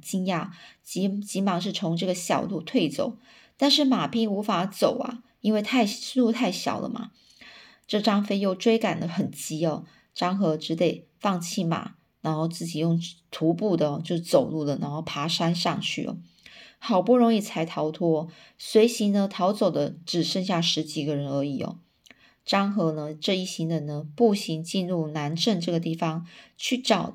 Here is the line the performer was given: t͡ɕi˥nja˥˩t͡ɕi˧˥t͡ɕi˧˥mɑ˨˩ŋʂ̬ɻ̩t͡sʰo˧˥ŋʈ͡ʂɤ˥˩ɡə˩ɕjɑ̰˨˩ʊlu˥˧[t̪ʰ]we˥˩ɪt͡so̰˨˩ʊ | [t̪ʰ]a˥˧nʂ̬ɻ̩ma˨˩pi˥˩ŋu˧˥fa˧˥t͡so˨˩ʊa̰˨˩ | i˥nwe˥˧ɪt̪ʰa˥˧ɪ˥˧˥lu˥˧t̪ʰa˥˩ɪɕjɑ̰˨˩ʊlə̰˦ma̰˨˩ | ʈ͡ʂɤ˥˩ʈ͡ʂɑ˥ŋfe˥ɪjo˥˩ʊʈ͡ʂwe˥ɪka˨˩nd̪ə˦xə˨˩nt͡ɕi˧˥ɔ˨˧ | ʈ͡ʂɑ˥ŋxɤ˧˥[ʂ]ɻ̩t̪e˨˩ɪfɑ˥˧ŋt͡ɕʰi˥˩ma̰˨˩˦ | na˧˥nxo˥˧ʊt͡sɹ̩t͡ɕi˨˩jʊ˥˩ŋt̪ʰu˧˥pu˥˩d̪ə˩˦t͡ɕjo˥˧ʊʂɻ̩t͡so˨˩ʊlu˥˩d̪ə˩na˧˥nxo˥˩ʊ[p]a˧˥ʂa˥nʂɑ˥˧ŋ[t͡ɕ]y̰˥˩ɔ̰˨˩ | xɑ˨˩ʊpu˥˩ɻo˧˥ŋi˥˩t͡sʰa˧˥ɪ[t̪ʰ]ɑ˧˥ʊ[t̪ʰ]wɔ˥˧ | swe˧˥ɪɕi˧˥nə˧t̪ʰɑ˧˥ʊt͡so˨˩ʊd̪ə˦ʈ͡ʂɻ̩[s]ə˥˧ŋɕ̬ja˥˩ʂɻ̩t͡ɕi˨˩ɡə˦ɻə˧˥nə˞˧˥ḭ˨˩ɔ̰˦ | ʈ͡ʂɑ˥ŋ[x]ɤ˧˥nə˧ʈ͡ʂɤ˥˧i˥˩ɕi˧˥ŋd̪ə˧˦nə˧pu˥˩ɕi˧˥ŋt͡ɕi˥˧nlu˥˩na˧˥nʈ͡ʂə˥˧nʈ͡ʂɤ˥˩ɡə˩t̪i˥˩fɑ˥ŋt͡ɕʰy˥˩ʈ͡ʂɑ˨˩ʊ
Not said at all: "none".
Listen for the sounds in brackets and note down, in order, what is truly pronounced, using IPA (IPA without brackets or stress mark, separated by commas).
t̪ʰ, t̪, ʈ͡ʂ, pʰ, t͡ɕʰ, t̪ʰ, t̪ʰ, ʂ, x